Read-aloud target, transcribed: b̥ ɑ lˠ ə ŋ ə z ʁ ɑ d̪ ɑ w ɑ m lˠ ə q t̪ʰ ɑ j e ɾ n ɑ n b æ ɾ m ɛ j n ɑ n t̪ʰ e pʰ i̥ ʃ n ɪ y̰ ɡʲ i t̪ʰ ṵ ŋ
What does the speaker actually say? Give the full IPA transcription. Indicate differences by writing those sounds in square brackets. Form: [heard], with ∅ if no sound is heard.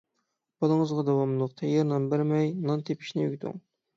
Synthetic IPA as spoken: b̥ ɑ lˠ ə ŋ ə z ʁ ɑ d̪ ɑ w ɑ m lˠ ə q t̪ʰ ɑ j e ɾ n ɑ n b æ ɾ m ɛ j n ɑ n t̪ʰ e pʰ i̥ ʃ n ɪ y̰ ɡʲ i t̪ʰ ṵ ŋ